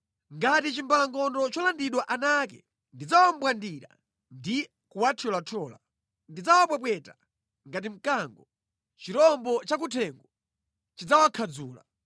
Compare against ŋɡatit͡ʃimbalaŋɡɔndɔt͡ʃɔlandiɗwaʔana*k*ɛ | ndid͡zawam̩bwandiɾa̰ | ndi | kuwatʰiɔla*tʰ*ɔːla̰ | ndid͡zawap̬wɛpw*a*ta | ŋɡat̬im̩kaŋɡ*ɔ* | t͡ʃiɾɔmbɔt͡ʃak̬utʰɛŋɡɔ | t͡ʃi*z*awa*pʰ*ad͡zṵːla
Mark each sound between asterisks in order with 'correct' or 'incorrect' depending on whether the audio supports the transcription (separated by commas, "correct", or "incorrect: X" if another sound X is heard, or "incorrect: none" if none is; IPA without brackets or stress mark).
correct, correct, incorrect: ɛ, correct, incorrect: d͡z, incorrect: kʰ